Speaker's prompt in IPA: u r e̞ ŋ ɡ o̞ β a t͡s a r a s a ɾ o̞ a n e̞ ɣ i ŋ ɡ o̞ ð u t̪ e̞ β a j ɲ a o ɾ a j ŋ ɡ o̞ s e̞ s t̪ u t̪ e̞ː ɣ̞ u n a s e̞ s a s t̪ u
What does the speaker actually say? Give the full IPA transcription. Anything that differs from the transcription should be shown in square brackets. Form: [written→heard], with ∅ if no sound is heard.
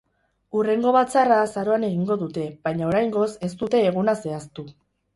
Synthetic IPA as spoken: u r e̞ ŋ ɡ o̞ β a t͡s a r a s a ɾ o̞ a n e̞ ɣ i ŋ ɡ o̞ ð u t̪ e̞ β a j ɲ a o ɾ a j ŋ ɡ o̞ s e̞ s t̪ u t̪ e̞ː ɣ̞ u n a s e̞ [s→∅] a s t̪ u